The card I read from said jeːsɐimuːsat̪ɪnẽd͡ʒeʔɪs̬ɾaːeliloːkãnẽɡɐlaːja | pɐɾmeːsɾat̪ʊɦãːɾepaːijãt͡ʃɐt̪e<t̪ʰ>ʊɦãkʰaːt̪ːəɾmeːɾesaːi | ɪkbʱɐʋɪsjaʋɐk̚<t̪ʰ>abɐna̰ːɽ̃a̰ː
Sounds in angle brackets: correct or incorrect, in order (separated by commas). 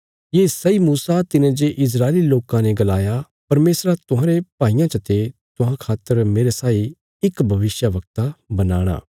incorrect, incorrect